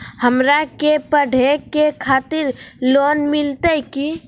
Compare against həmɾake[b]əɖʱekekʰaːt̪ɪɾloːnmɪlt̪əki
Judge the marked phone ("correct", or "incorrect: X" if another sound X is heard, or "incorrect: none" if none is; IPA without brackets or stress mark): incorrect: p